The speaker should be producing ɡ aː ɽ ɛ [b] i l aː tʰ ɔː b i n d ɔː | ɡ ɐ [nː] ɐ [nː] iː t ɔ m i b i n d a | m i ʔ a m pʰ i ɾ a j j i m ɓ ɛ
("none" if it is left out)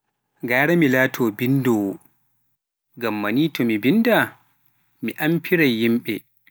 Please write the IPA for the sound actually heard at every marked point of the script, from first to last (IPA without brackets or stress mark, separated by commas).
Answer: m, mː, n